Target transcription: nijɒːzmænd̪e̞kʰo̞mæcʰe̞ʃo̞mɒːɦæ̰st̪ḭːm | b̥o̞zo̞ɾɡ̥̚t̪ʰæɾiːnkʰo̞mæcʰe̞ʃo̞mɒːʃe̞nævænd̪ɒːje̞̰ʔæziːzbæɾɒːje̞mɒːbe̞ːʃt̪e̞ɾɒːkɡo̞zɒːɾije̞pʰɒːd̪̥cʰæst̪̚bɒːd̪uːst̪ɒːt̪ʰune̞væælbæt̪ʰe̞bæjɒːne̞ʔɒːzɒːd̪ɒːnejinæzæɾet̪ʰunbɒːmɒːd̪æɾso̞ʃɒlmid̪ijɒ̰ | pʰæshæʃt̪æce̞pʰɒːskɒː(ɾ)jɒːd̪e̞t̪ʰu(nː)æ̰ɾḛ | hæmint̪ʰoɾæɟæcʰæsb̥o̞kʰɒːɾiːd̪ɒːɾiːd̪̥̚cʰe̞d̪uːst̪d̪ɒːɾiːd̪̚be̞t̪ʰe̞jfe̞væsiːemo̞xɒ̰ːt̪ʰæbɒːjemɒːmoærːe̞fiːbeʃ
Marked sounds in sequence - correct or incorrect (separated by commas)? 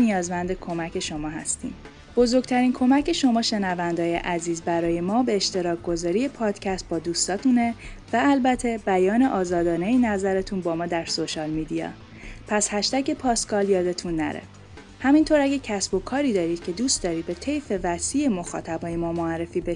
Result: incorrect, correct